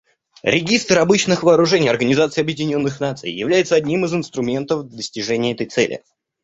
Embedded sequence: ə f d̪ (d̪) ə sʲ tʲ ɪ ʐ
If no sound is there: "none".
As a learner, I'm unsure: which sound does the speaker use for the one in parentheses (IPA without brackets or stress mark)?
d̪